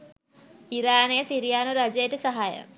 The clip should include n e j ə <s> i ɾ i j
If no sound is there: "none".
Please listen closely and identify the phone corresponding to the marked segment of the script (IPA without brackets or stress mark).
s